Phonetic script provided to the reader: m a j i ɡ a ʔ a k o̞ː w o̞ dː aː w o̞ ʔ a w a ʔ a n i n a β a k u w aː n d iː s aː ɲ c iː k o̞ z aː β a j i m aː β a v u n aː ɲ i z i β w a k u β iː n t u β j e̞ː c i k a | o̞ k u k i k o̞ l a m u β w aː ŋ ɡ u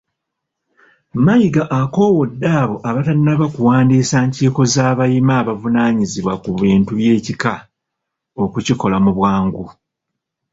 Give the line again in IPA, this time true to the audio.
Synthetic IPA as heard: m a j i ɡ a ʔ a k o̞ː w o̞ dː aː β o̞ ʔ a β a t a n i n a β a k u w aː n d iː s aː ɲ c iː k o̞ z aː β a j i m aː β a v u n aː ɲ i z i β w a k u β iː n t u β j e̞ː c i k a | o̞ k u c i k o̞ l a m u β w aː ŋ ɡ u